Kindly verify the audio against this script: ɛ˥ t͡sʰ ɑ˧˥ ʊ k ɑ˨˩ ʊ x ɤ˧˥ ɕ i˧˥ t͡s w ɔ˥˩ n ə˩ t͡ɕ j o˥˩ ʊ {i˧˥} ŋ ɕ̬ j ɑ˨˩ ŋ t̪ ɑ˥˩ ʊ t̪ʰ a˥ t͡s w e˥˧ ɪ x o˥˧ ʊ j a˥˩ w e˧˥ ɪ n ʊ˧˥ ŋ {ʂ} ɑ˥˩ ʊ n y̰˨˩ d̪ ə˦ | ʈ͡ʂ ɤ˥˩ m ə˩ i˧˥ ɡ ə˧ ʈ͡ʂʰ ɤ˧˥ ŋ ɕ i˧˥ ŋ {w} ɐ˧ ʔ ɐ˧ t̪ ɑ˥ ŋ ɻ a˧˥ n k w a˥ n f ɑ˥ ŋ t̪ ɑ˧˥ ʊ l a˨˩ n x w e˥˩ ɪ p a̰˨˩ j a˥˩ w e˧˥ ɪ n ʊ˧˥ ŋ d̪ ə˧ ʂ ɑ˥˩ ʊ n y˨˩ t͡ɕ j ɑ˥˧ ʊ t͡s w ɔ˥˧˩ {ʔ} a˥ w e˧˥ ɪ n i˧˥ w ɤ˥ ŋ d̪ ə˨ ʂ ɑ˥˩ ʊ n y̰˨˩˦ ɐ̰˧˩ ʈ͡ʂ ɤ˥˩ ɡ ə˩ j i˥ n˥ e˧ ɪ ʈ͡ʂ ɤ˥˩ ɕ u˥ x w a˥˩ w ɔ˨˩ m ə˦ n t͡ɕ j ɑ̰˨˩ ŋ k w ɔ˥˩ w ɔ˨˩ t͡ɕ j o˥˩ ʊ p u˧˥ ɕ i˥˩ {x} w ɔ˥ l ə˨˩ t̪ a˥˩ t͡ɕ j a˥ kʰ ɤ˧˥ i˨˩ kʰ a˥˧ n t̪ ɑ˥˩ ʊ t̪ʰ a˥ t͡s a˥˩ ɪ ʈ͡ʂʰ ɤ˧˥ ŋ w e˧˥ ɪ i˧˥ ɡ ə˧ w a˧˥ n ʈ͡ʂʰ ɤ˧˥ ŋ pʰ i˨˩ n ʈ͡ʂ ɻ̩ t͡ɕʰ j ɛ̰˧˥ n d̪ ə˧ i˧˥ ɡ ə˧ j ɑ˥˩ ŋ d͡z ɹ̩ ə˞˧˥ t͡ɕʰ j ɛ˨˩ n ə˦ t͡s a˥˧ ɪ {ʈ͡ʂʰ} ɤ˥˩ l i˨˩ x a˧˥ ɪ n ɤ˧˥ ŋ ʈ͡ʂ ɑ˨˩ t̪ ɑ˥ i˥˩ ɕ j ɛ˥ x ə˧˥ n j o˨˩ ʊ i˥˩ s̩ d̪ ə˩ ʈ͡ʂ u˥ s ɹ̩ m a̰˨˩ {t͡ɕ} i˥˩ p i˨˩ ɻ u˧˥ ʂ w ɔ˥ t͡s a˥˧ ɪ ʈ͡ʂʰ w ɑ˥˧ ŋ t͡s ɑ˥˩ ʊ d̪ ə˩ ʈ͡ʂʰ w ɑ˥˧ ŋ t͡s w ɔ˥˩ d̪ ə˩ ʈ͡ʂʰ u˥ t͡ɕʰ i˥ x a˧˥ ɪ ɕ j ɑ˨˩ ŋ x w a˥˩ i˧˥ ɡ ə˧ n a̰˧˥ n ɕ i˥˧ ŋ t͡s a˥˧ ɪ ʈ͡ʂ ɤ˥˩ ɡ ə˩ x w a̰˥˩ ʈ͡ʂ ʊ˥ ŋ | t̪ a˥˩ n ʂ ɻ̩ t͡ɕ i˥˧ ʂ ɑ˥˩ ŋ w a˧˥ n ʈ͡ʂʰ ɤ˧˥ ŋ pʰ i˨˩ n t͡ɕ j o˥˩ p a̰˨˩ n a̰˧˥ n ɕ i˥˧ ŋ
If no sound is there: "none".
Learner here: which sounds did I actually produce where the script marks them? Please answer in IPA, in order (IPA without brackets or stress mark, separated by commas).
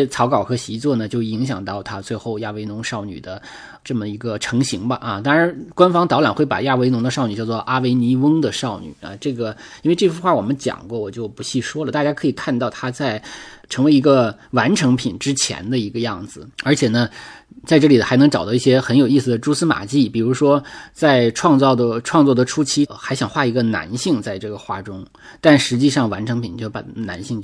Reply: i˧˥, ʂ, b, ʔ, ʂ, ʈ͡ʂ, t͡ɕ